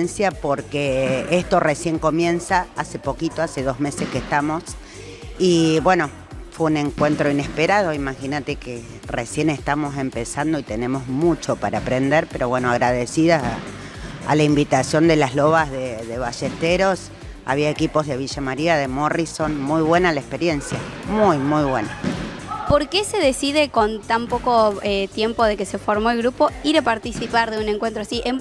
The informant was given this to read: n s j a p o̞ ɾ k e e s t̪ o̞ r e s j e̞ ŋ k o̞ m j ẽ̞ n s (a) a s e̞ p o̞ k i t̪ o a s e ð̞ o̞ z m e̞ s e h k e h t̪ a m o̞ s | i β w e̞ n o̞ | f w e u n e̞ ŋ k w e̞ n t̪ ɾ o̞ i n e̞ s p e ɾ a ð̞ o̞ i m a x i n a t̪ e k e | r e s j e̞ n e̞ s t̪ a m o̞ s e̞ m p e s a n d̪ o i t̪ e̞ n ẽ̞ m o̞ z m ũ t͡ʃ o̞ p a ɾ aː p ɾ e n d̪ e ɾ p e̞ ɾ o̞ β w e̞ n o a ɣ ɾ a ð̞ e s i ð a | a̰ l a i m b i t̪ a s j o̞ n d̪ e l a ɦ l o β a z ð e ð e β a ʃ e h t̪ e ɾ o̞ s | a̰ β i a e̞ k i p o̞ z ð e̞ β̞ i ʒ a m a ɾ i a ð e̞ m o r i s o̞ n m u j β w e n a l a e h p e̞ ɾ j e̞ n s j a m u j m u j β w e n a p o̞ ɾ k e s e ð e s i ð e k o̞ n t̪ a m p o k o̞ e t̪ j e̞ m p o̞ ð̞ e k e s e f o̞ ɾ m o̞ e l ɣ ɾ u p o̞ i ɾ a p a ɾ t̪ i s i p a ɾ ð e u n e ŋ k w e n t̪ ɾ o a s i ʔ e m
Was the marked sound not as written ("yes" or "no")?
no